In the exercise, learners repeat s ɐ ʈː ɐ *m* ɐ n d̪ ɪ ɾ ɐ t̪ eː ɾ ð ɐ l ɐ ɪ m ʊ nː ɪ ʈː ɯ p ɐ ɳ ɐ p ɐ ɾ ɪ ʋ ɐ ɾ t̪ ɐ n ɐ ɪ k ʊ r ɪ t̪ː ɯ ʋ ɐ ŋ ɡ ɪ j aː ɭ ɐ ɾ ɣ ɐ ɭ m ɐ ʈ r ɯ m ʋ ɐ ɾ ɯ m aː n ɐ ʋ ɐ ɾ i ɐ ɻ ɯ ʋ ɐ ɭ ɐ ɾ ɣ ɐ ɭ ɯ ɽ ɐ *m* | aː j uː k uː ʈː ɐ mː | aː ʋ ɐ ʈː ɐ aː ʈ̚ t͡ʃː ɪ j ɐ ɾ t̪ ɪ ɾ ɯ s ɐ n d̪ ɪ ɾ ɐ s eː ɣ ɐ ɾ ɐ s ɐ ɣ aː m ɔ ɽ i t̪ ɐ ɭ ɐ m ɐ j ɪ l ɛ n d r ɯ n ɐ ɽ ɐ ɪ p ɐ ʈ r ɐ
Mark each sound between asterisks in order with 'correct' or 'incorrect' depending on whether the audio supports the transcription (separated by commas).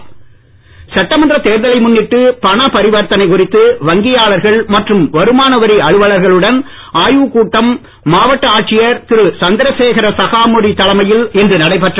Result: correct, incorrect